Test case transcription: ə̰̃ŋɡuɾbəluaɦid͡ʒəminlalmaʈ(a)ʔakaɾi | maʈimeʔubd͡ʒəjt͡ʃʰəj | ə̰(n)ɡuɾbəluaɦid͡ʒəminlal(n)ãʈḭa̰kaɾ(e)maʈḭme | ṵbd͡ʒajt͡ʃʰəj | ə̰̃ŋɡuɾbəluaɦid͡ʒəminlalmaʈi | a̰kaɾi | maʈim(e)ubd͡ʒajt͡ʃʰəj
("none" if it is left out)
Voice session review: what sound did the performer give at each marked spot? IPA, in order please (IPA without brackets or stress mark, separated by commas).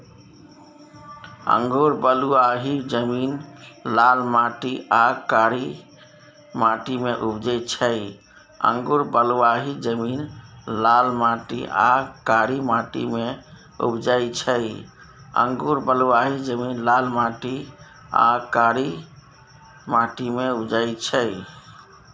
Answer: i, ŋ, m, i, e